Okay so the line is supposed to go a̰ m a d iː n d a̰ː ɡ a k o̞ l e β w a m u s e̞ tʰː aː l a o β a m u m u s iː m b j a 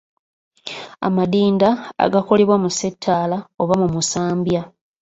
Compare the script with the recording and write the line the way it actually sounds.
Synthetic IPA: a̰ m a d iː n d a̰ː ɡ a k o̞ l e β w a m u s e̞ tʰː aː l a o β a m u m u s aː m b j a